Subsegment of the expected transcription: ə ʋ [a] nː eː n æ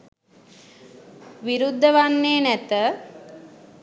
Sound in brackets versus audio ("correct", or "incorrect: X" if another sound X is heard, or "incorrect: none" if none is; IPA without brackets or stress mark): correct